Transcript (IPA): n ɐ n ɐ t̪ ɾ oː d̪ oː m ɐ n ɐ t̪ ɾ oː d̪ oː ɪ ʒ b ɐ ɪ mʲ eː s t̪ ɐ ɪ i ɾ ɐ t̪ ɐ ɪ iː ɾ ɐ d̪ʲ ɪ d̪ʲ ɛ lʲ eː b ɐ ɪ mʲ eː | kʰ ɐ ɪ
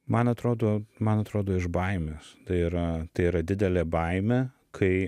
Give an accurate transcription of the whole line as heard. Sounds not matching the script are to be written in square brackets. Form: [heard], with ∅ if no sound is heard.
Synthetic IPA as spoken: [m] ɐ n ɐ t̪ ɾ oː d̪ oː m ɐ n ɐ t̪ ɾ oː d̪ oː ɪ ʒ b ɐ ɪ mʲ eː s t̪ ɐ ɪ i ɾ ɐ t̪ ɐ ɪ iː ɾ ɐ d̪ʲ ɪ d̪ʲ ɛ lʲ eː b ɐ ɪ mʲ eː | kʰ ɐ ɪ